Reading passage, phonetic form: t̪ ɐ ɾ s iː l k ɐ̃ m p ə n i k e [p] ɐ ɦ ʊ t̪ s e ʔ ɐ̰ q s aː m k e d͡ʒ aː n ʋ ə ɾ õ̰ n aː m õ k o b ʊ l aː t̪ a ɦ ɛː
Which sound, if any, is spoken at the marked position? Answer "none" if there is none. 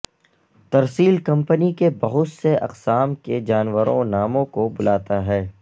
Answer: b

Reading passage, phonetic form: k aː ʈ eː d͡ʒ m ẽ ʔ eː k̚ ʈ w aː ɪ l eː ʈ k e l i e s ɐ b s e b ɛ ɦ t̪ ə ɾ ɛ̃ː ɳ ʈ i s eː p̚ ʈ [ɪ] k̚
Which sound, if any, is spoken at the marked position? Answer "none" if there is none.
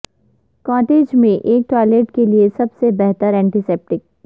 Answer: ɪ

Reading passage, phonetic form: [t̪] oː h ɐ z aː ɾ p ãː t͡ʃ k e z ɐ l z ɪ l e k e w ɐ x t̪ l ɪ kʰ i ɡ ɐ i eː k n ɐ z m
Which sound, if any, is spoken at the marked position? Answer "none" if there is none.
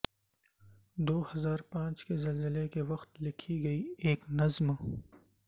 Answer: d̪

